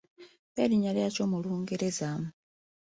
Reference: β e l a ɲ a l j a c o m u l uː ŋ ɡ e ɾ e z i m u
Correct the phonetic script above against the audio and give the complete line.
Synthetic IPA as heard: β e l i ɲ a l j a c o m u l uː ŋ ɡ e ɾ e z a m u